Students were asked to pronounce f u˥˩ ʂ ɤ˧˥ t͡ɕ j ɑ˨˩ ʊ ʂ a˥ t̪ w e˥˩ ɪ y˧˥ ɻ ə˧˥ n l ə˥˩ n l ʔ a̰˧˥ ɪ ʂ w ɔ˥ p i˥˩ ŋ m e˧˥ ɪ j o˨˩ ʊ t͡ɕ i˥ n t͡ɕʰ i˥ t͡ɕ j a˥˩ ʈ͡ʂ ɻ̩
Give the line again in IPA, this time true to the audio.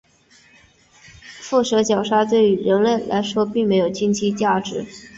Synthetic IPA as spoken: f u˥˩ ʂ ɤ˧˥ t͡ɕ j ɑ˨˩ ʊ ʂ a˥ t̪ w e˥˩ ɪ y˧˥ ɻ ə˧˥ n l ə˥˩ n l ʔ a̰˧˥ ɪ ʂ w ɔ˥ p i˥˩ ŋ m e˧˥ ɪ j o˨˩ ʊ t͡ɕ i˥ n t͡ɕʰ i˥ t͡ɕ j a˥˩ ʈ͡ʂ ɻ̩